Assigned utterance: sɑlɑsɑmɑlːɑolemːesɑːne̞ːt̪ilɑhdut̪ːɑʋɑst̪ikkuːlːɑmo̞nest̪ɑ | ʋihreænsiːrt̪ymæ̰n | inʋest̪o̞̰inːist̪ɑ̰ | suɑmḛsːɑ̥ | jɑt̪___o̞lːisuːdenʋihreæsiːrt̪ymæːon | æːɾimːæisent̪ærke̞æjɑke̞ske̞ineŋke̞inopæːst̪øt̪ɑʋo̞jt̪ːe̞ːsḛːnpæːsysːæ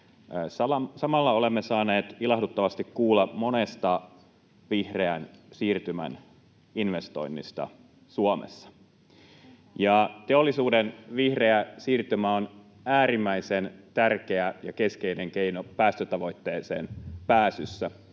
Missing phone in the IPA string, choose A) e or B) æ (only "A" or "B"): A